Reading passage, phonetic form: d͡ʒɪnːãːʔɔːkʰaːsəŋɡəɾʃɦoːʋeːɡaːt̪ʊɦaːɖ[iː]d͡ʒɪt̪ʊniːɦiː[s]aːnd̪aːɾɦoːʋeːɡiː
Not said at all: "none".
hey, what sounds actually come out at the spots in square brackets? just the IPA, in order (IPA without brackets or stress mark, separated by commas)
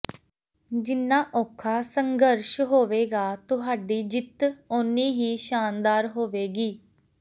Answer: iː, ʃ